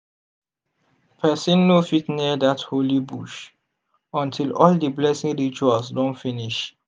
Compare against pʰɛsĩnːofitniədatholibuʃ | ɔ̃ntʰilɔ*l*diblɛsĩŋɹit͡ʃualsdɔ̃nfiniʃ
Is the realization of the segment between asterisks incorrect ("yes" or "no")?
no